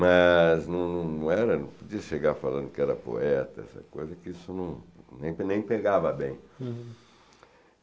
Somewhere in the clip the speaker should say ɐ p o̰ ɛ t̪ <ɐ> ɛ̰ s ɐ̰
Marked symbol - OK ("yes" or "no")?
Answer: yes